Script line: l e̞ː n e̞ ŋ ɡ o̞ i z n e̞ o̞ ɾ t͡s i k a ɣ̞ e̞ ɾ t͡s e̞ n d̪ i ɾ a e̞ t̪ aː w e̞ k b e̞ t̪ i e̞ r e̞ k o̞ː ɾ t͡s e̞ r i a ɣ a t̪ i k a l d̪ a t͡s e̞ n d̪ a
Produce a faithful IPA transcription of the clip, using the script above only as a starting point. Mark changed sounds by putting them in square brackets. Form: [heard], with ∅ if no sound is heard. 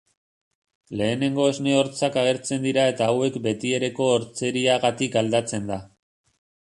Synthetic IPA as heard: l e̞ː n e̞ ŋ ɡ o̞ [e] z n e̞ o̞ ɾ t͡s [a] k a ɣ̞ e̞ ɾ t͡s e̞ n d̪ i ɾ a e̞ t̪ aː w e̞ k b e̞ t̪ i e̞ [ɾ] e̞ k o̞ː ɾ t͡s e̞ [ɾ] i a ɣ a t̪ i k a l d̪ a t͡s e̞ n d̪ a

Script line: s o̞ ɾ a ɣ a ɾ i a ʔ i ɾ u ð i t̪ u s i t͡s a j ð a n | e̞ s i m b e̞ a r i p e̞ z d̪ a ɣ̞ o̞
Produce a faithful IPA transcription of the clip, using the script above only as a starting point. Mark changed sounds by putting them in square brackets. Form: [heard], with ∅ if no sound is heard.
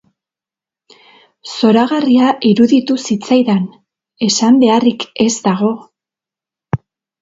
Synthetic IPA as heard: s o̞ ɾ a ɣ a [r] i a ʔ i ɾ u ð i t̪ u s i t͡s a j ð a n | e̞ s [a] m b e̞ a r i [k] e̞ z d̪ a ɣ̞ o̞

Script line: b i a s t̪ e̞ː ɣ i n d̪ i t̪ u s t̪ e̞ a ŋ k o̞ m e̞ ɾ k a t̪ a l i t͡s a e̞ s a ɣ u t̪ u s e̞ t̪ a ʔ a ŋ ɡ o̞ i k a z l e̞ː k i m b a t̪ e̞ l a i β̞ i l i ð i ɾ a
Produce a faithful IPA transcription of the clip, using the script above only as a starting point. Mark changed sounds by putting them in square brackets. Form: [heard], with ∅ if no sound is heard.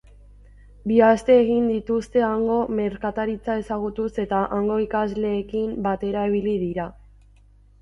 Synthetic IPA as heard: b i a s t̪ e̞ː ɣ i n d̪ i t̪ u s t̪ e̞ a ŋ [ɡ] o̞ m e̞ ɾ k a t̪ a [ɾ] i t͡s a e̞ s a ɣ u t̪ u s e̞ t̪ a ʔ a ŋ ɡ o̞ i k a z l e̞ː k i m b a t̪ e̞ [ɾ] a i β̞ i l i ð i ɾ a

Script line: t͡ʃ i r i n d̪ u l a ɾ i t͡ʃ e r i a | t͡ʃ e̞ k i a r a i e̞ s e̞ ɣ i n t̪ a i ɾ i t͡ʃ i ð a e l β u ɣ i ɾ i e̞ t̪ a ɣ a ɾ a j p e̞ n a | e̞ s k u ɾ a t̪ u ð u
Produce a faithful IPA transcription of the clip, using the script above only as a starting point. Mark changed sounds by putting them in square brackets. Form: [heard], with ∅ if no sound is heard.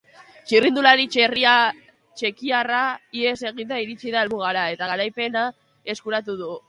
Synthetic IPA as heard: t͡ʃ i r i n d̪ u l a ɾ i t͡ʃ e r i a | t͡ʃ e̞ k i a r a i e̞ s e̞ ɣ i n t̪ a i ɾ i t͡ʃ i ð a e l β u ɣ [a] ɾ [a] e̞ t̪ a ɣ a ɾ a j p e̞ n a | e̞ s k u ɾ a t̪ u ð u

